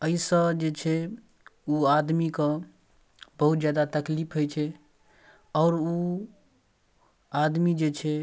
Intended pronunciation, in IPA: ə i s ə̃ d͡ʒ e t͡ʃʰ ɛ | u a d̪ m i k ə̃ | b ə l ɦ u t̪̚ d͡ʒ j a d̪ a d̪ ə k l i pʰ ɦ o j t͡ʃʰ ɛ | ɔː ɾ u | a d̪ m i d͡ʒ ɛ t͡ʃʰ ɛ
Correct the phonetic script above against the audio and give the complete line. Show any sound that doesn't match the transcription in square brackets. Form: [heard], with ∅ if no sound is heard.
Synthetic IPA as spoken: ə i s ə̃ d͡ʒ e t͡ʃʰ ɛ | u a d̪ m i k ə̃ | b ə [∅] ɦ u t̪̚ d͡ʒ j a d̪ a [t̪] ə k l i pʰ ɦ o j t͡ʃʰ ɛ | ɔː ɾ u | a d̪ m i d͡ʒ [e] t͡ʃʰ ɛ

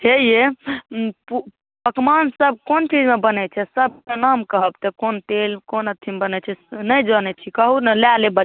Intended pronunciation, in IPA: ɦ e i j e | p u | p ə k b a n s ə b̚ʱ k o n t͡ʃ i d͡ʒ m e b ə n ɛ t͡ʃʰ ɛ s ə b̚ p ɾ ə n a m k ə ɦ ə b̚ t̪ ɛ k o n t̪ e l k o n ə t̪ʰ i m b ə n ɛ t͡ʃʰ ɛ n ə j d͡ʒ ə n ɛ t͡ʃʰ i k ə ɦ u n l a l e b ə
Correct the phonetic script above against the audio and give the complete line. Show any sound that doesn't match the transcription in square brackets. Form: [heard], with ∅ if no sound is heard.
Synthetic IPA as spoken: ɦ e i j e | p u | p ə k [m] a n s ə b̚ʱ k o n t͡ʃ i d͡ʒ m e b ə n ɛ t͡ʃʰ ɛ s ə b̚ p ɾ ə n a m k ə ɦ ə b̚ t̪ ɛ k o n t̪ e l k o n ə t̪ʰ i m b ə n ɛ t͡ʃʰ ɛ n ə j d͡ʒ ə n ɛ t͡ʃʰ i k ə ɦ u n l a l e b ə

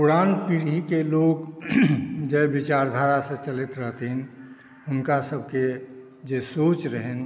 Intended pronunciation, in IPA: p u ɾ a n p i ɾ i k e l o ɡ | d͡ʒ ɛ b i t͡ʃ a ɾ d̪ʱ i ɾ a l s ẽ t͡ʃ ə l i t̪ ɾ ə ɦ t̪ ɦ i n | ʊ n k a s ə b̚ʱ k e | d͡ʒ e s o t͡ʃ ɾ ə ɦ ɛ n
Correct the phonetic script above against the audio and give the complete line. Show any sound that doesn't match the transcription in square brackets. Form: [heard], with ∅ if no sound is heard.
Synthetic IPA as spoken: p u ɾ a n p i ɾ i k e l o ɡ | d͡ʒ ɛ b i t͡ʃ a ɾ d̪ʱ [a] ɾ a [∅] s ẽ t͡ʃ ə l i t̪ ɾ ə ɦ t̪ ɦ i n | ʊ n k a s ə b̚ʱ k e | d͡ʒ e s o t͡ʃ ɾ ə ɦ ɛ n

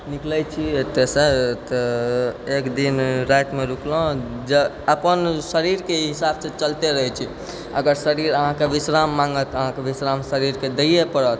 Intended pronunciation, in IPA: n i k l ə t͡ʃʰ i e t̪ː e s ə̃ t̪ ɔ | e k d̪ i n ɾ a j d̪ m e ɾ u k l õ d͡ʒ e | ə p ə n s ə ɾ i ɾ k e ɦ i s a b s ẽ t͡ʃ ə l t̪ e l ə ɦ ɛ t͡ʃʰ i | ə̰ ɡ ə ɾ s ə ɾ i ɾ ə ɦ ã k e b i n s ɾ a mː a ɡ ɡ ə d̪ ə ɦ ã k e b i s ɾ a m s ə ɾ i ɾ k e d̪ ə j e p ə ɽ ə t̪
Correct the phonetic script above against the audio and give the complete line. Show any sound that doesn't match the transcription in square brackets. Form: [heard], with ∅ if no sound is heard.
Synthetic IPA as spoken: n i k l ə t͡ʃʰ i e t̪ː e s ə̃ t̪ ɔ | e k d̪ i n ɾ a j [t̪] m e ɾ u k l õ d͡ʒ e | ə p ə n s ə ɾ i ɾ k e ɦ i s a b s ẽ t͡ʃ ə l t̪ e [ɾ] ə ɦ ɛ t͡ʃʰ i | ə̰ ɡ ə ɾ s ə ɾ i ɾ ə ɦ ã k e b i [∅] s ɾ a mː a [ŋ] ɡ ə [t̪] ə ɦ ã k e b i s ɾ a m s ə ɾ i ɾ k e d̪ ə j e p ə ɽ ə t̪

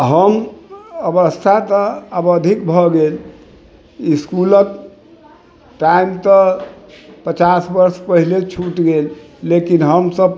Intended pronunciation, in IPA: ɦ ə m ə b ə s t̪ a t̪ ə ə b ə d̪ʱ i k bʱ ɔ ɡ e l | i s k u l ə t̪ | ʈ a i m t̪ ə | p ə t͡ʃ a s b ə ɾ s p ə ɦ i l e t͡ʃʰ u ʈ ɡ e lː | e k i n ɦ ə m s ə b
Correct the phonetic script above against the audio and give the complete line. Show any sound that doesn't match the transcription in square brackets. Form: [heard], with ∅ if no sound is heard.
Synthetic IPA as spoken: ɦ ə m ə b ə s [t̪ʰ] a t̪ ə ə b ə d̪ʱ i k bʱ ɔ ɡ e l | i s k u l ə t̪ | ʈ a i m t̪ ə | p ə t͡ʃ a s b ə ɾ s p ə ɦ i l e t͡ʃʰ u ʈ ɡ e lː | e k i n ɦ ə m s ə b

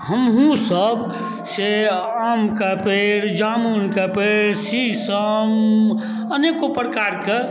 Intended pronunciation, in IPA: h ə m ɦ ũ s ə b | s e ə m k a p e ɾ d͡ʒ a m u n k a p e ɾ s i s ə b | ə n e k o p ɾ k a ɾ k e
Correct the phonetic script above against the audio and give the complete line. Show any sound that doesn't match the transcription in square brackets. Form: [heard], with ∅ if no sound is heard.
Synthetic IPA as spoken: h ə m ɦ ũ s ə b | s e [a] m k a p e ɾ d͡ʒ a m u n k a p e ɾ s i s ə [m] | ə n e k o p ɾ k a ɾ k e

